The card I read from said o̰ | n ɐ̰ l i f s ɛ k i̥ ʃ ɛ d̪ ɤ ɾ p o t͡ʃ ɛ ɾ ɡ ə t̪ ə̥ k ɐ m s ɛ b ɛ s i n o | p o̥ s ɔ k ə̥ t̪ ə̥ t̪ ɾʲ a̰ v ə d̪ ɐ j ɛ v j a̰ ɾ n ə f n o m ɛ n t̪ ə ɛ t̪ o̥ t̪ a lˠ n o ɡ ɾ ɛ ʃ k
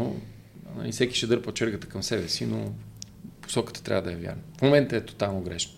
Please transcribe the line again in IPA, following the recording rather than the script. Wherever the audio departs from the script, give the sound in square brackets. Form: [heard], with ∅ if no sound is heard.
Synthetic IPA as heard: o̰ | n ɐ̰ l i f s ɛ k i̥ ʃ ɛ d̪ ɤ ɾ p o t͡ʃ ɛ ɾ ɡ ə t̪ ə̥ k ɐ m s ɛ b ɛ s i n o | p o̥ s ɔ k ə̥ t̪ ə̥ t̪ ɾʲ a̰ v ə d̪ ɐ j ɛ v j a̰ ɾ n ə f [m] o m ɛ n t̪ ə ɛ t̪ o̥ t̪ a lˠ n o ɡ ɾ ɛ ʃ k